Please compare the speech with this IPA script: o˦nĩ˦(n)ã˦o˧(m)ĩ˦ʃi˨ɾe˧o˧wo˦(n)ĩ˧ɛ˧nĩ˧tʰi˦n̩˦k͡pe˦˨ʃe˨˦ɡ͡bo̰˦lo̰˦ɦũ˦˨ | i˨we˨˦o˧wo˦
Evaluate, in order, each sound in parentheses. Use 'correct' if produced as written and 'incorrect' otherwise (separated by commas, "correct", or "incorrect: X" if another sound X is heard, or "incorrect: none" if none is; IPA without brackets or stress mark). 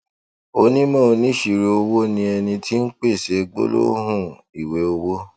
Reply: incorrect: m, incorrect: n, correct